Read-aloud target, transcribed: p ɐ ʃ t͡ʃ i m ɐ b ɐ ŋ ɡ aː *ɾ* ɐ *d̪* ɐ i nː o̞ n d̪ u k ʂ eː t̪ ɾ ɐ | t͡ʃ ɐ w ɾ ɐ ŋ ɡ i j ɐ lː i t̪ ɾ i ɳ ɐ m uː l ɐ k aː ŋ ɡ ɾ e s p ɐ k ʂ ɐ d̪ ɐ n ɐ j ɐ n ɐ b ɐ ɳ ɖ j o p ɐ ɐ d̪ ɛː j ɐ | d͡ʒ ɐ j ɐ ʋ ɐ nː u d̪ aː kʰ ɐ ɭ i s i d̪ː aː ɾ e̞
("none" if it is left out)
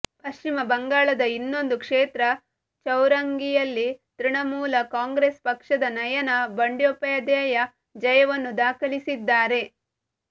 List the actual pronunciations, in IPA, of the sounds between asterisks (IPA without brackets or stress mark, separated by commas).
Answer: ɭ, d̪